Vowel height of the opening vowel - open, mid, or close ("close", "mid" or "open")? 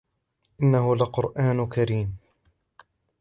close